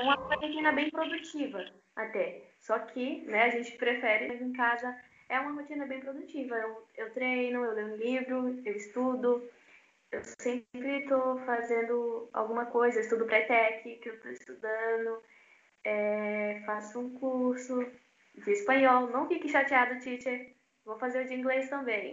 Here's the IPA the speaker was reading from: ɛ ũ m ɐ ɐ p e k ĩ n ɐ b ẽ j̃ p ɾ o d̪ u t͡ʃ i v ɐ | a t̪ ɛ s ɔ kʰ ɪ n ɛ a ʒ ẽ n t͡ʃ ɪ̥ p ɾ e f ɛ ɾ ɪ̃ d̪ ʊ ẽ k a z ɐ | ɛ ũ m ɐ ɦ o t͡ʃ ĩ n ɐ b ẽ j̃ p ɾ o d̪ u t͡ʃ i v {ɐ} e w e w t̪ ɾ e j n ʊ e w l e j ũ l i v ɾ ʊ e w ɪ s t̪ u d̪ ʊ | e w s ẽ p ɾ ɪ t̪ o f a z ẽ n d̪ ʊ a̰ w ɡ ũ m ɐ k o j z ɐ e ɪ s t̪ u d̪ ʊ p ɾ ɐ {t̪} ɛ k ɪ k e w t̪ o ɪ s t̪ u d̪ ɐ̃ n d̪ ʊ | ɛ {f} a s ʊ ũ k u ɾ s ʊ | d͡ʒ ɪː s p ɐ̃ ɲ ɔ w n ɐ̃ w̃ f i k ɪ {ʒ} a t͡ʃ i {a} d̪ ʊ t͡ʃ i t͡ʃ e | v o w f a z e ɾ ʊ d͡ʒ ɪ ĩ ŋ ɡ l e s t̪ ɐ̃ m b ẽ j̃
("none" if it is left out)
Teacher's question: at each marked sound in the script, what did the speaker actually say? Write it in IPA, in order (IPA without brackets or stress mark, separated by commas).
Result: ɐ, t̪, f, ʃ, a